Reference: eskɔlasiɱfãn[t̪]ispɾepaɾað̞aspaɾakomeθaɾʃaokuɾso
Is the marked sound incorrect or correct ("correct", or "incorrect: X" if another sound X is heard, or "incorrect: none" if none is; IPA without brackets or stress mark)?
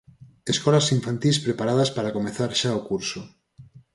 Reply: correct